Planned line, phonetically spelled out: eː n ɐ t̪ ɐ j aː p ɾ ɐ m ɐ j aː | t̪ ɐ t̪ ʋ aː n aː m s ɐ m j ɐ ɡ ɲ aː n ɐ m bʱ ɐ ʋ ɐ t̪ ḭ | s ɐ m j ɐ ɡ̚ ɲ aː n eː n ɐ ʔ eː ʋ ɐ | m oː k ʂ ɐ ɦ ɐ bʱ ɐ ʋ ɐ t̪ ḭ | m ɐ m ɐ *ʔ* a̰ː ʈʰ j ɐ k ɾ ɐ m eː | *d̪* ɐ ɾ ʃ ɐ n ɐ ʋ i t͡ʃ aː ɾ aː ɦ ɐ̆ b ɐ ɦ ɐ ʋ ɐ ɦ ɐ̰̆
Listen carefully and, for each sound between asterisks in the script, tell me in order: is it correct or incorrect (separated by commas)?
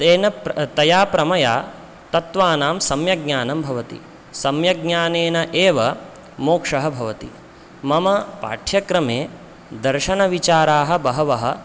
incorrect, correct